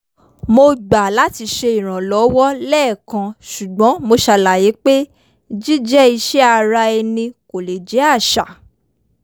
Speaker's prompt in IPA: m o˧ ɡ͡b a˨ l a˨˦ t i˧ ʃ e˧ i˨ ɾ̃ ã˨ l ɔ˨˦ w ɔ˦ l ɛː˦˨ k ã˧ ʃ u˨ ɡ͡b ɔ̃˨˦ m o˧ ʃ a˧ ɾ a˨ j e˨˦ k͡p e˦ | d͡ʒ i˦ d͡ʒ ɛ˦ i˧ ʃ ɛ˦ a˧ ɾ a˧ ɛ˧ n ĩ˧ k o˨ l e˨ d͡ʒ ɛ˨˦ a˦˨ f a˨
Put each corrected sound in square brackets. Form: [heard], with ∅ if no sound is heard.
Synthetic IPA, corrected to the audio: m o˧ ɡ͡b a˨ l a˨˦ t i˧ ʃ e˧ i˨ ɾ̃ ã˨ l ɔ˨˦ w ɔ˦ l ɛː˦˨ k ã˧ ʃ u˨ ɡ͡b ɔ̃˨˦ m o˧ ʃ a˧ [l] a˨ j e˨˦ k͡p e˦ | d͡ʒ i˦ d͡ʒ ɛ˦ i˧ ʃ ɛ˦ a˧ ɾ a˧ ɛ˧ n ĩ˧ k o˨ l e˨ d͡ʒ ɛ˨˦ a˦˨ [ʃ] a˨